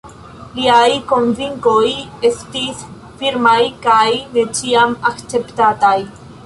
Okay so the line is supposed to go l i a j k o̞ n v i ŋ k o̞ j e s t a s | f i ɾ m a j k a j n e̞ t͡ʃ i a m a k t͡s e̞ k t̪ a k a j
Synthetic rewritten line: l i a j k o̞ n v i ŋ k o̞ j e s t i s | f i ɾ m a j k a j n e̞ t͡ʃ i a m a k t͡s e̞ p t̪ a t a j